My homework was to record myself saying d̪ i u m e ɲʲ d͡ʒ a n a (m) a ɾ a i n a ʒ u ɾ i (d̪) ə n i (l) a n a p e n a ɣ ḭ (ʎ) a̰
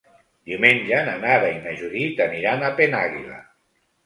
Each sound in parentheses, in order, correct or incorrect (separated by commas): incorrect, incorrect, incorrect, incorrect